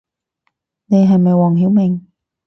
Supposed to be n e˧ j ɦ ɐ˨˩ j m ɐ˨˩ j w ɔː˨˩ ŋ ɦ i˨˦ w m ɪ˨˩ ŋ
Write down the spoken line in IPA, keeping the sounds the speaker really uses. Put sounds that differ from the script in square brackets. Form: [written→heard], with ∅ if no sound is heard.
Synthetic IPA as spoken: n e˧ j ɦ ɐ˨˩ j m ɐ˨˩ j w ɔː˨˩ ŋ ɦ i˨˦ w m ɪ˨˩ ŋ